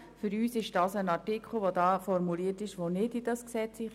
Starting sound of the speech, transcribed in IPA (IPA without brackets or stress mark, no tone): f